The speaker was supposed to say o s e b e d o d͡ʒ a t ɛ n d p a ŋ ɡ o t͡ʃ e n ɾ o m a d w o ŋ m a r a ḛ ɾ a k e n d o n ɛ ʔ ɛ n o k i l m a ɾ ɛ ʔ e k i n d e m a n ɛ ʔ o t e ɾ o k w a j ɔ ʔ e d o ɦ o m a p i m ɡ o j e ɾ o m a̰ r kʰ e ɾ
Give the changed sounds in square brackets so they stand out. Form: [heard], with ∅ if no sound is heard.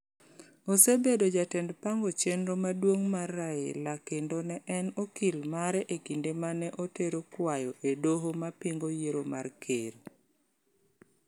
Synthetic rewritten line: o s e b e d o d͡ʒ a t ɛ n d p a ŋ ɡ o t͡ʃ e n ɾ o m a d w o ŋ m a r a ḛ [l] a k e n d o n ɛ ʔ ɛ n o k i l m a ɾ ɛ ʔ e k i n d e m a n ɛ ʔ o t e ɾ o k w a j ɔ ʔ e d o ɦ o m a p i [ŋ] ɡ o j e ɾ o m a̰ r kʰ e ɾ